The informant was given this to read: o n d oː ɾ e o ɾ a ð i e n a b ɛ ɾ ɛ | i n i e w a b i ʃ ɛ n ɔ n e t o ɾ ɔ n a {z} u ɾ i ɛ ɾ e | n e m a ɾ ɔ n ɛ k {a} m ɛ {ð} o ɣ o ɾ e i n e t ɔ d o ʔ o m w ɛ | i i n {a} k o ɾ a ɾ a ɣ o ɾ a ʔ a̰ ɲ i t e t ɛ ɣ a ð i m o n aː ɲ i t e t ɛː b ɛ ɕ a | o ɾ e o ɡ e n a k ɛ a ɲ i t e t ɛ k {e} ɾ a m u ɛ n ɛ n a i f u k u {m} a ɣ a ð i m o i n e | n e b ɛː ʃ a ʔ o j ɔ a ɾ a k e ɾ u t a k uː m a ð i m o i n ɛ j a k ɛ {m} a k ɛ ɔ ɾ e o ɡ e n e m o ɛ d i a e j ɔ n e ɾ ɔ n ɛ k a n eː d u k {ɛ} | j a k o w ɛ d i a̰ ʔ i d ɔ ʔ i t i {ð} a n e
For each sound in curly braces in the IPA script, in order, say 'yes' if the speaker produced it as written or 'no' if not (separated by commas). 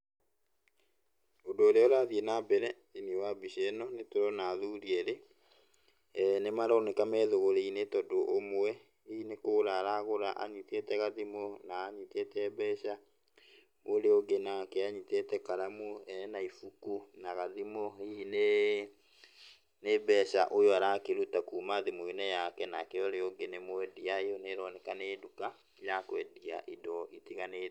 no, yes, yes, no, no, no, no, no, no